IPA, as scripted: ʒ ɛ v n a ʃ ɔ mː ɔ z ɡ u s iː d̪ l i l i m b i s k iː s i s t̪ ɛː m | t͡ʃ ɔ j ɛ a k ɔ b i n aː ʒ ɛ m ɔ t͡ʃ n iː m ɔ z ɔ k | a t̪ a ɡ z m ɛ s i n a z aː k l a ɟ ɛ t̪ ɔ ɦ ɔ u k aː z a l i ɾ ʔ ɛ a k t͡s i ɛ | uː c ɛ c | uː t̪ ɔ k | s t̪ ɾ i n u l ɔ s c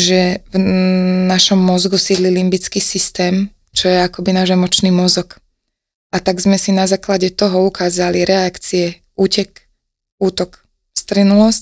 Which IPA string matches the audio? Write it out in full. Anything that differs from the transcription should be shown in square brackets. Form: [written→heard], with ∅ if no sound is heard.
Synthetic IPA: ʒ ɛ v n a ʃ ɔ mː ɔ z ɡ u s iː d̪ l i l i m b i [s→t͡s] k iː s i s t̪ ɛː m | t͡ʃ ɔ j ɛ a k ɔ b i n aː ʒ ɛ m ɔ t͡ʃ n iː m ɔ z ɔ k | a t̪ a ɡ z m ɛ s i n a z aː k l a ɟ ɛ t̪ ɔ ɦ ɔ u k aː z a l i ɾ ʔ ɛ a k t͡s i ɛ | uː c ɛ [c→k] | uː t̪ ɔ k | s t̪ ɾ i n u l ɔ s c